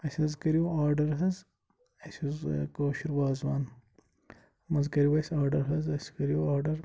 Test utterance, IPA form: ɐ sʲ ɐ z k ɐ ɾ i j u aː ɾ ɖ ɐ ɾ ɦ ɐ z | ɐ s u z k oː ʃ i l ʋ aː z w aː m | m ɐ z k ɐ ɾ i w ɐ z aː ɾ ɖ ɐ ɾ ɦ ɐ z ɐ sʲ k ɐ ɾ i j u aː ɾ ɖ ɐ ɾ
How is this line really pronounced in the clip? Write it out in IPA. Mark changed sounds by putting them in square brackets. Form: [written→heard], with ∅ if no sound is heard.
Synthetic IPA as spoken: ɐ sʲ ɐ z k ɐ ɾ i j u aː ɾ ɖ ɐ ɾ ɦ ɐ z | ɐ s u z k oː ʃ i [l→ɾ] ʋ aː z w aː [m→n] | m ɐ z k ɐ ɾ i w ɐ [z→s] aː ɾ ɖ ɐ ɾ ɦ ɐ z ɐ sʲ k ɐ ɾ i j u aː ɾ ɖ ɐ ɾ